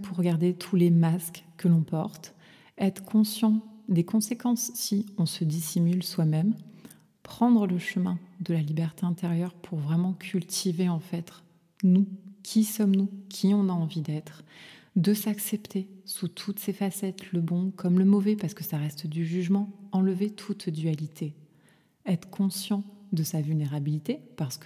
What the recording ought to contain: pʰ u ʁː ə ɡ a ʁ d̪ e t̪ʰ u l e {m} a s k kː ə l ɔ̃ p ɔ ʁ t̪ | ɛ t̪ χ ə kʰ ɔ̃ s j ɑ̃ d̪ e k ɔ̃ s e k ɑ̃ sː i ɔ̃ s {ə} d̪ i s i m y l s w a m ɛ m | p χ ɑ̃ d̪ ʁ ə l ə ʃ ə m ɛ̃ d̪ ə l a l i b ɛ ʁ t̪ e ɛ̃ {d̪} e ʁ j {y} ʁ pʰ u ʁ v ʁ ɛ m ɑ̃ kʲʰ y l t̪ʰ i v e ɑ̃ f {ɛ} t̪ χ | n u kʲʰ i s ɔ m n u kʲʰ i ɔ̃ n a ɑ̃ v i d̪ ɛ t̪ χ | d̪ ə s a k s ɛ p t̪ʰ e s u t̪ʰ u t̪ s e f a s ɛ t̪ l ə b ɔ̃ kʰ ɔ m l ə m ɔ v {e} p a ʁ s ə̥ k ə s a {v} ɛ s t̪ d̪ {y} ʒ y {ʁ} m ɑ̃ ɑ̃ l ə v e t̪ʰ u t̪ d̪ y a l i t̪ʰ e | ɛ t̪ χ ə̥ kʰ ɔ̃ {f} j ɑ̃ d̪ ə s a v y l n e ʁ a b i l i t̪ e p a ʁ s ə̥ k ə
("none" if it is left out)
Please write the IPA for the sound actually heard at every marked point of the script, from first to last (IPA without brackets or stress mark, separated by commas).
m, ə, t̪, œ, ɛ, ɛ, ʁ, y, ʒ, s